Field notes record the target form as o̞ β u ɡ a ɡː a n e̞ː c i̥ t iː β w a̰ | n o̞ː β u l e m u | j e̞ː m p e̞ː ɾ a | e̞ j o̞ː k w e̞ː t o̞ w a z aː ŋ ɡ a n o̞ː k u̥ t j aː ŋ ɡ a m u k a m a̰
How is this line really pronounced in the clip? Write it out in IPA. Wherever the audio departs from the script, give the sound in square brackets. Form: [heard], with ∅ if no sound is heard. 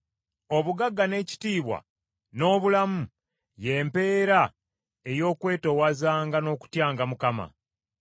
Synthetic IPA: o̞ β u ɡ a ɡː a n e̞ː c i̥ t iː β w a̰ | n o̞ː β u l [a] m u | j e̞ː m p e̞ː ɾ a | e̞ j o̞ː k w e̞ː t o̞ w a z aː ŋ ɡ a n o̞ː k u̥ t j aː ŋ ɡ a m u k a m a̰